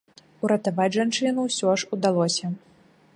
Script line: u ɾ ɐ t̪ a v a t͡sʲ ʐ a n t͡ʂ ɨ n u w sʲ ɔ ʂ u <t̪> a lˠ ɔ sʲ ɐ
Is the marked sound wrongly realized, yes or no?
yes